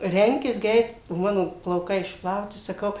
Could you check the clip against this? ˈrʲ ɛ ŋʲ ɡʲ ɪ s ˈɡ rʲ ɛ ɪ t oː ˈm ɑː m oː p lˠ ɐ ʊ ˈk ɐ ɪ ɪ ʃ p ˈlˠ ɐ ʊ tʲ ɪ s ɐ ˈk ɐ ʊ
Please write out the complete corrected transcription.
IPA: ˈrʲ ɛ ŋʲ kʲ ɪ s ˈɡ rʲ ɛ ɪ t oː ˈm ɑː n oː p lˠ ɐ ʊ ˈk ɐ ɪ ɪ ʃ p ˈlˠ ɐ ʊ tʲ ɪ s ɐ ˈk ɐ ʊ

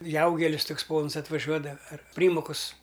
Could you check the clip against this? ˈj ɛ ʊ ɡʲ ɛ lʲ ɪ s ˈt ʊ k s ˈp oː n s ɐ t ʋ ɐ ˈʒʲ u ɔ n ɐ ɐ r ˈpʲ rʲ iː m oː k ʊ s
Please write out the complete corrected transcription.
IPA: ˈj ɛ ʊ ɡʲ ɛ lʲ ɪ s ˈt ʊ k s ˈp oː n s ɐ t ʋ ɐ ˈʒʲ u ɔ d ɐ ɐ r ˈpʲ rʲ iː m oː k ʊ s

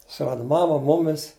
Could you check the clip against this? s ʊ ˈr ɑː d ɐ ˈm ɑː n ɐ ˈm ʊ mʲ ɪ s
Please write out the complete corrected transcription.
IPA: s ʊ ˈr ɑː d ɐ ˈm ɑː m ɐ ˈm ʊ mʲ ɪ s

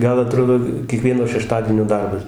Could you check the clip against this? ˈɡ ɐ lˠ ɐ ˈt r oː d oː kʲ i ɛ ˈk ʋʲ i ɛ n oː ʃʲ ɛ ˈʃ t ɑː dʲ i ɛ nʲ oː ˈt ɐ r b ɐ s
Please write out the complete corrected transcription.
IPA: ˈɡ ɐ lˠ ɐ ˈt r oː d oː kʲ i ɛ ˈk ʋʲ i ɛ n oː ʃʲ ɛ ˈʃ t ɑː dʲ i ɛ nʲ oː ˈd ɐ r b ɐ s

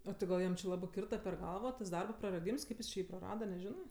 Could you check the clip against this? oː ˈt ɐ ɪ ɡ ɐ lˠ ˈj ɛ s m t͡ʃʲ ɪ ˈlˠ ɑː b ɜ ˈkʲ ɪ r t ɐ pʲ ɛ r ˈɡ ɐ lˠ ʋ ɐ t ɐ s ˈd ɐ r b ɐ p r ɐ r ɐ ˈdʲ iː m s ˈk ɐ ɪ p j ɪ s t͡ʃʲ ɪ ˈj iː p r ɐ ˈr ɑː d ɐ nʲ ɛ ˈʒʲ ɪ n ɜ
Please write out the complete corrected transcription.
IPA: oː ˈt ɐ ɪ ɡ ɐ lˠ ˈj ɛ m t͡ʃʲ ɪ ˈlˠ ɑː b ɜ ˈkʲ ɪ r t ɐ pʲ ɛ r ˈɡ ɐ lˠ ʋ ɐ t ɐ s ˈd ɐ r b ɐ p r ɐ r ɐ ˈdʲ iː m s ˈk ɐ ɪ p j ɪ s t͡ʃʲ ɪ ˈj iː p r ɐ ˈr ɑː d ɐ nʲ ɛ ˈʒʲ ɪ n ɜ

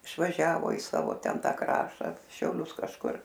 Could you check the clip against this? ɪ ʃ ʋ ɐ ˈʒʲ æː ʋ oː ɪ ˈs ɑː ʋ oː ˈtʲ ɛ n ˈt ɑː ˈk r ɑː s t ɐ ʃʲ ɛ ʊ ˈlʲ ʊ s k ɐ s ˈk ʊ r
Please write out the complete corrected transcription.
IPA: ɪ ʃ ʋ ɐ ˈʒʲ æː ʋ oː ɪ ˈs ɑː ʋ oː ˈtʲ ɛ n ˈt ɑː ˈk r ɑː ʃ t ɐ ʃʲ ɛ ʊ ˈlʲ ʊ s k ɐ ʃ ˈk ʊ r

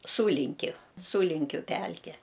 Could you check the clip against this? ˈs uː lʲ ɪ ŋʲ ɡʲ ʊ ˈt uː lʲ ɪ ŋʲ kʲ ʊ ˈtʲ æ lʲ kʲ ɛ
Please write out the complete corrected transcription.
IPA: ˈs uː lʲ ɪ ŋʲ kʲ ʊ ˈs uː lʲ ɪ ŋʲ kʲ ʊ ˈpʲ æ lʲ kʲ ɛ

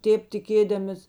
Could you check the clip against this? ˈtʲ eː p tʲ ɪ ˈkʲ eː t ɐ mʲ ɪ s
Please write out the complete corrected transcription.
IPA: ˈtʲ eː p tʲ ɪ ˈkʲ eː d ɐ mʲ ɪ s

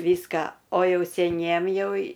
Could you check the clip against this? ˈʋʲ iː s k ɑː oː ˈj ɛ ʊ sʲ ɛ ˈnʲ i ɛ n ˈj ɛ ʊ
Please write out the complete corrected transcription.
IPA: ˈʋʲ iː s k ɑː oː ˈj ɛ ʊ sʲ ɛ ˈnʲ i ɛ m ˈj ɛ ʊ

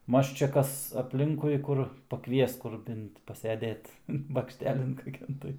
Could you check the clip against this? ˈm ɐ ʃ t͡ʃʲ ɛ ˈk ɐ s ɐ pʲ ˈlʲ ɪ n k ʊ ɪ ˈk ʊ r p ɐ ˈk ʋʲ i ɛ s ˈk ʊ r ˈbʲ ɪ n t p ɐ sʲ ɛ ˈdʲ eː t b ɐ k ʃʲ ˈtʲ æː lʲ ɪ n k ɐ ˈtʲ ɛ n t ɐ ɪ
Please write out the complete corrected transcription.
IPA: ˈm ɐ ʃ t͡ʃʲ ɛ ˈk ɐ s ɐ pʲ ˈlʲ ɪ ŋ k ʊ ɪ ˈk ʊ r p ɐ ˈk ʋʲ i ɛ s ˈk ʊ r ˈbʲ ɪ n t p ɐ sʲ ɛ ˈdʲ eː t b ɐ k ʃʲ ˈtʲ æː lʲ ɪ n k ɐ ˈkʲ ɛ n t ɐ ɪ

